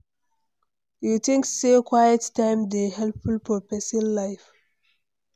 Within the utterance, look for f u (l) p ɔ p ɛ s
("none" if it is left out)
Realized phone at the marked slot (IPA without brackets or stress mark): l